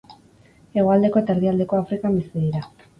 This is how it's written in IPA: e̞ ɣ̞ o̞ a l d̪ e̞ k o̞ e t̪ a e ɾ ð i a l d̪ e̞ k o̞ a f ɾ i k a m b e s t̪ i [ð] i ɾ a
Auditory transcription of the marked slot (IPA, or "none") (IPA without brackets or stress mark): ð